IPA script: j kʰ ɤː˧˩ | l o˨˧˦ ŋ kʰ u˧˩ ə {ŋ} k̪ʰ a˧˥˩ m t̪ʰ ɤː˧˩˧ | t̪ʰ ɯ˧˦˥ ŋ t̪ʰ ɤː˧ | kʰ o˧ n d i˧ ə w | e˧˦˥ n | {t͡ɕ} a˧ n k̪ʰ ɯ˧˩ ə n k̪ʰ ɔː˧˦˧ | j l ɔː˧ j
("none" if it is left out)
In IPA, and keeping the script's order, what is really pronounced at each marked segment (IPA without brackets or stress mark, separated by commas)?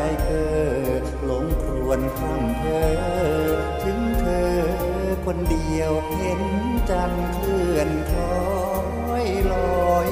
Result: n, t͡ɕ